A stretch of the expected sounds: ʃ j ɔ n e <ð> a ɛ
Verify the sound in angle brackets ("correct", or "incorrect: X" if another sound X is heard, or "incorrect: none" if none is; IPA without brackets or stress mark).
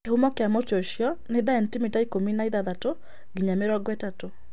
correct